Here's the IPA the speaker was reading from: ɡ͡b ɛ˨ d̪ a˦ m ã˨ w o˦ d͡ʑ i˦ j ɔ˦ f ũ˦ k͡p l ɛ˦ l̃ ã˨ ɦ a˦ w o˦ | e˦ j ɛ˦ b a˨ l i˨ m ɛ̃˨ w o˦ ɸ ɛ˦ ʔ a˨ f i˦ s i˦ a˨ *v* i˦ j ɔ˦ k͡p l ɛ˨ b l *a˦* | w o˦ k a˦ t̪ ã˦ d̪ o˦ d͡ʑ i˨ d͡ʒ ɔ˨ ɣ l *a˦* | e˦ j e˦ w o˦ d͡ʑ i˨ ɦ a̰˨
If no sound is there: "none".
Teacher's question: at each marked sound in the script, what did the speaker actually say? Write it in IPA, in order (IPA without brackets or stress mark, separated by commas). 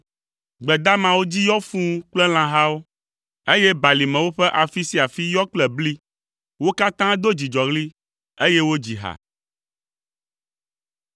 f, i˦, i˦